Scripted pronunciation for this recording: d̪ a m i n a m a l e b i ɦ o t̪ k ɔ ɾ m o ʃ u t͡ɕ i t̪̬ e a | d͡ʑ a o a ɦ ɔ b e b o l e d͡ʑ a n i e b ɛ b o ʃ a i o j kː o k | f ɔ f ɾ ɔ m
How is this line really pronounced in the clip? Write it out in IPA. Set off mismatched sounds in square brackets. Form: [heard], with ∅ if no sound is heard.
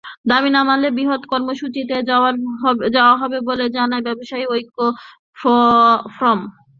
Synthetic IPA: d̪ a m i n a m a l e b i ɦ o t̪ k ɔ ɾ m o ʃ u t͡ɕ i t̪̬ e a | d͡ʑ a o a ɦ ɔ b e b o l e d͡ʑ a n [a] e b ɛ b o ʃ a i o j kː o [∅] | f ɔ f ɾ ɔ m